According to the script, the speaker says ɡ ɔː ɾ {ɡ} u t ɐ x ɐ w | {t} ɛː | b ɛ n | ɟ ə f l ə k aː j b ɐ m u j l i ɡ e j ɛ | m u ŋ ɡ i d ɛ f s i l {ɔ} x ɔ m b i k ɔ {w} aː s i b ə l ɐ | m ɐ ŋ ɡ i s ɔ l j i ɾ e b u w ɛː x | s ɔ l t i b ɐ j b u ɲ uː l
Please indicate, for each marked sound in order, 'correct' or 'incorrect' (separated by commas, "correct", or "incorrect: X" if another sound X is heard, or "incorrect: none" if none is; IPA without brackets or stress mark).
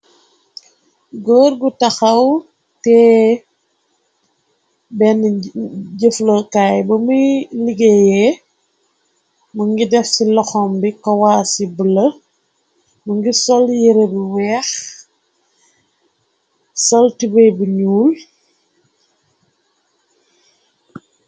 correct, correct, correct, correct